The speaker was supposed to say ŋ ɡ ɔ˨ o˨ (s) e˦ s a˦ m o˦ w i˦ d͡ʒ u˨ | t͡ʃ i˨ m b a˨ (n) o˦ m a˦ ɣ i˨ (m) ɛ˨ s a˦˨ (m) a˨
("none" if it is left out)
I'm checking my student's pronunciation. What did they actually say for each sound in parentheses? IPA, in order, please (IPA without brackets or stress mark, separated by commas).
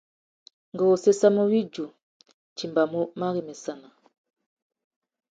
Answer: s, m, m, n